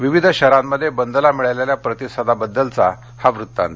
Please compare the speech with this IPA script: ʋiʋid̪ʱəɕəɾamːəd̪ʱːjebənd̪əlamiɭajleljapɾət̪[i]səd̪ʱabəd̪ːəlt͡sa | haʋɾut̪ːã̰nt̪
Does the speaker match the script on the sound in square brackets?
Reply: yes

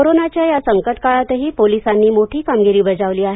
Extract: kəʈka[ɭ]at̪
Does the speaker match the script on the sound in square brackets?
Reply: yes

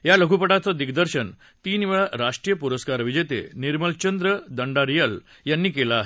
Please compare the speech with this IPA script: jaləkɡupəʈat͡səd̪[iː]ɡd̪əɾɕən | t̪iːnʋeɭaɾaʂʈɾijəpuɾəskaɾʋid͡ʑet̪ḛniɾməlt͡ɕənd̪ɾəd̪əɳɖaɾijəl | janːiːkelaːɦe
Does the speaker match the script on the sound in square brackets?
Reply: no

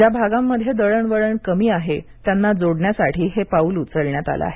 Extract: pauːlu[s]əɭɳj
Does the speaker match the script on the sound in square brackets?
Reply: no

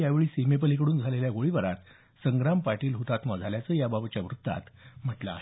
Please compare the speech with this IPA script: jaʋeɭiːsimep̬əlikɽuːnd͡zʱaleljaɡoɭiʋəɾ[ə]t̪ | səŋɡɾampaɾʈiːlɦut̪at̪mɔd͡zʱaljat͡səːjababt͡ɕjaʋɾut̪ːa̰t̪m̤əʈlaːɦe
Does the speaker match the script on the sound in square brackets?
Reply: no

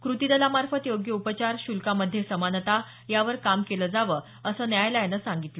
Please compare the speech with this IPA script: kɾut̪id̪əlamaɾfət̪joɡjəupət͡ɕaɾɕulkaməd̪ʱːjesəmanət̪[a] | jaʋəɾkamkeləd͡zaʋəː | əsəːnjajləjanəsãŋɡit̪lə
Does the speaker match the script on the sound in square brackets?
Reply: yes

